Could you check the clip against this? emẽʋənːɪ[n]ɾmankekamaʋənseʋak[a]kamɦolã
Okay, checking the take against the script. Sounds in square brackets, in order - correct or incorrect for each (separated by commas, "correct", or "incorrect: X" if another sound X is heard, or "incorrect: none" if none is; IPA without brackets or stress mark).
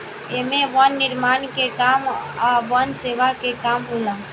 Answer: incorrect: none, incorrect: e